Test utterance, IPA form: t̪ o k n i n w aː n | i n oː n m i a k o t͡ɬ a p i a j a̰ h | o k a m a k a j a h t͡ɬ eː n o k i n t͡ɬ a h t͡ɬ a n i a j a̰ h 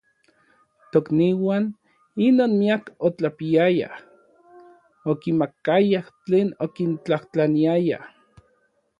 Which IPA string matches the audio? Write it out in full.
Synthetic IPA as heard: t̪ o k n i w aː n | i n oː n m i a k o t͡ɬ a p i a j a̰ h | o k i m a k a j a h t͡ɬ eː n o k i n t͡ɬ a h t͡ɬ a n i a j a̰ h